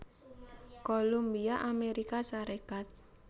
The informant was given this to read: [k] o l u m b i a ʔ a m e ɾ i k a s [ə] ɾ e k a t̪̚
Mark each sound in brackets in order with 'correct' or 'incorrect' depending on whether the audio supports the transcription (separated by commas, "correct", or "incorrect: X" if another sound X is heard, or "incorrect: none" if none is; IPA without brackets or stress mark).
correct, incorrect: a